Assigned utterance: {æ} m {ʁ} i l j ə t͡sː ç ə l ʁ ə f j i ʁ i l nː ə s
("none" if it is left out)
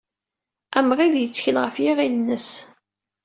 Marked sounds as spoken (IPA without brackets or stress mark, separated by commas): æ, ʁ